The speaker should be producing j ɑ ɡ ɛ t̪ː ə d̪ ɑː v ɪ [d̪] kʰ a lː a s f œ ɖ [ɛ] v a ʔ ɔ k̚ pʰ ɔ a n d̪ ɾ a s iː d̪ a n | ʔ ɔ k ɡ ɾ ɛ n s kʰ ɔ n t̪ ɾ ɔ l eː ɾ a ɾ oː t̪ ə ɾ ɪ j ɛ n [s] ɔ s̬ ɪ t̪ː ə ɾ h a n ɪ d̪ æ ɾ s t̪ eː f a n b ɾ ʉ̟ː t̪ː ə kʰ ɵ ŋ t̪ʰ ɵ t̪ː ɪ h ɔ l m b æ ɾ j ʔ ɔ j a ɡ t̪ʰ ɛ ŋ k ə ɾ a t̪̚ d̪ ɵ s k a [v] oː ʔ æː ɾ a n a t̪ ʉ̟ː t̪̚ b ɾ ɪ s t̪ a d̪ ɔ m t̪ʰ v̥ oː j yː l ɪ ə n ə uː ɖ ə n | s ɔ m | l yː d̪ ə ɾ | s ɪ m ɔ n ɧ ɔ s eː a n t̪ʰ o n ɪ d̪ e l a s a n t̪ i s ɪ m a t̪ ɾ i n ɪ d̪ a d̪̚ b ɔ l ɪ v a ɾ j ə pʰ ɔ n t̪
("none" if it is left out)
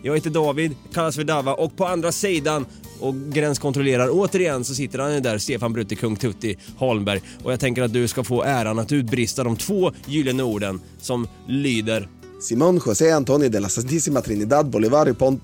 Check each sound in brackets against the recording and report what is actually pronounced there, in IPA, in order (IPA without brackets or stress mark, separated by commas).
d̪, a, s, f